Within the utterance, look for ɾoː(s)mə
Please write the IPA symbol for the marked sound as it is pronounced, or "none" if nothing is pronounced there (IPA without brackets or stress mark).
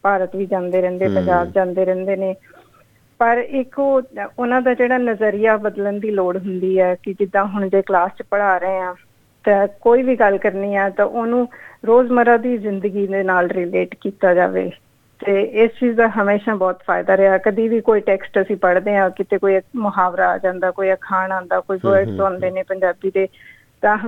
z